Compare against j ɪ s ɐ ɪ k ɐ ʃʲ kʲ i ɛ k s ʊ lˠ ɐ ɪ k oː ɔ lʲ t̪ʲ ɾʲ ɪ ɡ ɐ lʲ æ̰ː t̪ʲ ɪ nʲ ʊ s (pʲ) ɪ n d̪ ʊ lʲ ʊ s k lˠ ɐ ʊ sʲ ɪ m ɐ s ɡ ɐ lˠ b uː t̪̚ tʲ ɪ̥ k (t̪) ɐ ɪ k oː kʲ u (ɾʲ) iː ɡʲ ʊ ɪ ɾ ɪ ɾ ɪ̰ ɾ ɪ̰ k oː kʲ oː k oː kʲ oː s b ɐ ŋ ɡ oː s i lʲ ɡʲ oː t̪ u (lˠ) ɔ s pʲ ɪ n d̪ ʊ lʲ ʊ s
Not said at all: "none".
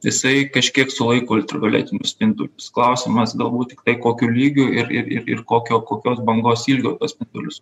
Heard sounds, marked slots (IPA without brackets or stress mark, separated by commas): pʲ, t̪, lʲ, none